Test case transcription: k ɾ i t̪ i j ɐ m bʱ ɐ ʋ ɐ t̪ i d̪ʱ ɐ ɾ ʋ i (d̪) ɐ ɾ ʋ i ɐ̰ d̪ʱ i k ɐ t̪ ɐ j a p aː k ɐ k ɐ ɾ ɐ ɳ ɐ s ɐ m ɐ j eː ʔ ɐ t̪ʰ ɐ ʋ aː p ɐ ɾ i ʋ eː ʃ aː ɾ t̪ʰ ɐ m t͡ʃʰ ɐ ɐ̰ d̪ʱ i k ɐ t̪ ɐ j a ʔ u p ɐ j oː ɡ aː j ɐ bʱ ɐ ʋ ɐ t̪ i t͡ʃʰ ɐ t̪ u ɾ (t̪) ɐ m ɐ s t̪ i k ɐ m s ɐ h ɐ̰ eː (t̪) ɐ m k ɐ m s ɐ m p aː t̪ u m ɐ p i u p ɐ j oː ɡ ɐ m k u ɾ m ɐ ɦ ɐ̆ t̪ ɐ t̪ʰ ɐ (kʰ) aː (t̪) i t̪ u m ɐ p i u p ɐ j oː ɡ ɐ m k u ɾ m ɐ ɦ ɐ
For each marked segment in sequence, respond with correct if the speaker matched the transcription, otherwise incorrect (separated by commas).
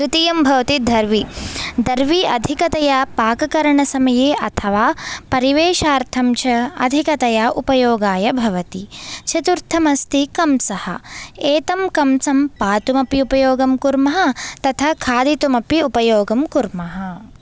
correct, incorrect, correct, correct, incorrect